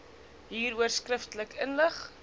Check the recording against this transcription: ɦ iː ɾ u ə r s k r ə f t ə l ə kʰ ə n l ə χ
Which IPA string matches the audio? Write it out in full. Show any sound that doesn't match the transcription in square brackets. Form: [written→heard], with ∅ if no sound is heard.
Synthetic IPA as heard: ɦ iː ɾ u ə r s k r ə f t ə l ə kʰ ə n l ə χ